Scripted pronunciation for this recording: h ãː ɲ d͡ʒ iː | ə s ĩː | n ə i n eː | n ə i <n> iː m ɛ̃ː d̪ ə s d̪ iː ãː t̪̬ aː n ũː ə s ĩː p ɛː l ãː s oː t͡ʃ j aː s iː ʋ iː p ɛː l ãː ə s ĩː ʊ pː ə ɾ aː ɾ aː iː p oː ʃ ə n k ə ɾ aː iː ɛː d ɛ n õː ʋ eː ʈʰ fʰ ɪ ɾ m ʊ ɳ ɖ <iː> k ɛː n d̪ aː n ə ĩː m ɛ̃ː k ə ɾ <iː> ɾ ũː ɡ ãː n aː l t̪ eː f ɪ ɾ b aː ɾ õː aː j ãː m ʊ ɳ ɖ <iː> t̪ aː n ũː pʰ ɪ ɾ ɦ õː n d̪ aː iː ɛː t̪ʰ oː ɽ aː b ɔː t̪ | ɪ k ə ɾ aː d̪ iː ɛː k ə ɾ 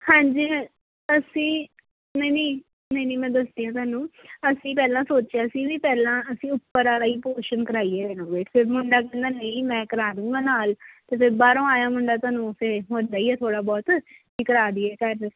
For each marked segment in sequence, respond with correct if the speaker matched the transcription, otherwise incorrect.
correct, incorrect: aː, incorrect: aː, incorrect: aː

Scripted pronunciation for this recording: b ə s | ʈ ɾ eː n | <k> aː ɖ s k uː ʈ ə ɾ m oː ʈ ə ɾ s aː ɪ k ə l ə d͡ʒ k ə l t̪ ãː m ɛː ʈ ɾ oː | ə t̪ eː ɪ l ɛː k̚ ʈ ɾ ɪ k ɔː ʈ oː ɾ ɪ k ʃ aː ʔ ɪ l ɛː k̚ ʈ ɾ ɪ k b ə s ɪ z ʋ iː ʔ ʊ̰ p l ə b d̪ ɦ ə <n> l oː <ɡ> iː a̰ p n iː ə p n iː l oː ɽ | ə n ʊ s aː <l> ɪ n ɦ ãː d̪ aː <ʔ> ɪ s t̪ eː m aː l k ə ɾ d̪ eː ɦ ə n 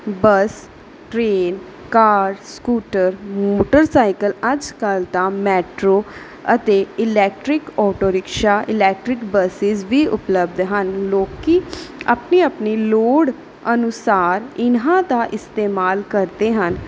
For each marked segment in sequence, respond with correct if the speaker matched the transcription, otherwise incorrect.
correct, correct, incorrect: k, incorrect: ɾ, correct

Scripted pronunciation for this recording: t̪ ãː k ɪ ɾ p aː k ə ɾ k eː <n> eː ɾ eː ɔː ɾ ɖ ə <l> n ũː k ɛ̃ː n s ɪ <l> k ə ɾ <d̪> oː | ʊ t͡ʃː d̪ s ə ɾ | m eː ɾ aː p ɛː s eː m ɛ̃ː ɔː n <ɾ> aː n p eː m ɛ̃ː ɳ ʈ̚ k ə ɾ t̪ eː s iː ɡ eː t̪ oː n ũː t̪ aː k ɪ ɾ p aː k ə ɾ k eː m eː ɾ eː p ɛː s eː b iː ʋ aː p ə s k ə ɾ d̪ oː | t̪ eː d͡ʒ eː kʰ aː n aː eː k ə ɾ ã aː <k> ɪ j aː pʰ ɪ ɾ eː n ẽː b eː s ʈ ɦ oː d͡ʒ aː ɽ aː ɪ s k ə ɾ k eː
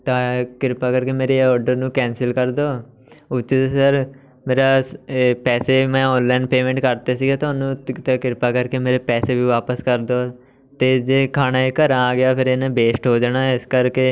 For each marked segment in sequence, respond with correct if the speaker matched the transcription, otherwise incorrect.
incorrect: m, incorrect: ɾ, correct, correct, incorrect: l, incorrect: ɡ

